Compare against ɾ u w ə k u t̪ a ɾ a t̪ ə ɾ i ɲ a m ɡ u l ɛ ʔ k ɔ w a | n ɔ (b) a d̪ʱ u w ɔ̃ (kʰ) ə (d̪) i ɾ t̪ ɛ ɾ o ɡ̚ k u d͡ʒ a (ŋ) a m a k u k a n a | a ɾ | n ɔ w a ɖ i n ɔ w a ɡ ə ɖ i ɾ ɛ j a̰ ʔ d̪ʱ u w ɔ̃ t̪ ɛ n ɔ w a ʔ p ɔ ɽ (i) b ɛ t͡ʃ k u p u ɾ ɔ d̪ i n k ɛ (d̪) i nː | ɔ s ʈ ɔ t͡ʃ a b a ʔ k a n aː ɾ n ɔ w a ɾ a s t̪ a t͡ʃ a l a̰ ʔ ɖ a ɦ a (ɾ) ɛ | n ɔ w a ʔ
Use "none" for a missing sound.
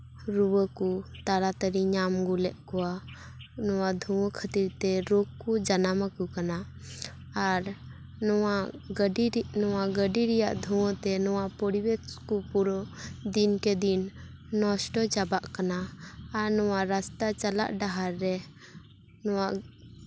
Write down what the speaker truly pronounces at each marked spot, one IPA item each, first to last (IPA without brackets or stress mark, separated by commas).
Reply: w, kʰ, t̪, n, i, d̪, ɾː